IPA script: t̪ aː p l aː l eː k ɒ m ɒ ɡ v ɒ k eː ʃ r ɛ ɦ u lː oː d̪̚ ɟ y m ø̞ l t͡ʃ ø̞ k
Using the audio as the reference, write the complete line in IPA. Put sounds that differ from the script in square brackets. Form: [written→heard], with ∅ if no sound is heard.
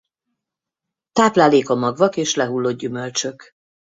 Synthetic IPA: t̪ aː p l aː l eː k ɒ m ɒ ɡ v ɒ k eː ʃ [r→l] ɛ ɦ u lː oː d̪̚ ɟ y m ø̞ l t͡ʃ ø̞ k